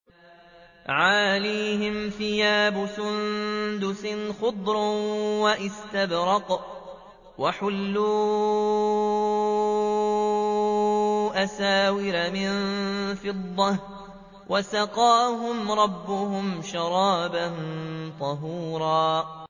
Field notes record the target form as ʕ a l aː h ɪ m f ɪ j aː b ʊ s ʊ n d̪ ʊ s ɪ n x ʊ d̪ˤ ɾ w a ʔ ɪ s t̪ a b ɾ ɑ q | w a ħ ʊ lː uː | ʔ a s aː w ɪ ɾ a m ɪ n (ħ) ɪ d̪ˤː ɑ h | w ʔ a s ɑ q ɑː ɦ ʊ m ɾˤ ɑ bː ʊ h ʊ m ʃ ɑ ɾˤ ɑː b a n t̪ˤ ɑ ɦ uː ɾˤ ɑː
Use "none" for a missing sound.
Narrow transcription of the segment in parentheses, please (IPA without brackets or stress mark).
f